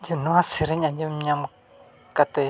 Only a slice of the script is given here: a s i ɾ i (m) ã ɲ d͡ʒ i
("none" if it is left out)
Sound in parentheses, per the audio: ɲ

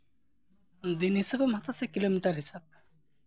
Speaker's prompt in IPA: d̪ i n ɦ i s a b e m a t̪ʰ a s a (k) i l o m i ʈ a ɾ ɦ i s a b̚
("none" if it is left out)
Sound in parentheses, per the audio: k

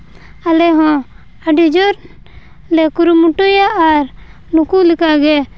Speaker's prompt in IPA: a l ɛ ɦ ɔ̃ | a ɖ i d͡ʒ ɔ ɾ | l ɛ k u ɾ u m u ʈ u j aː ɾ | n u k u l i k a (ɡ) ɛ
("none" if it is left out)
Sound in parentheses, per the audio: ɡ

